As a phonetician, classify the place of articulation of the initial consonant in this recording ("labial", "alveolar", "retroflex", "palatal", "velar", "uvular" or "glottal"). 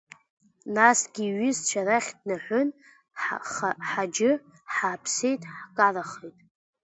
alveolar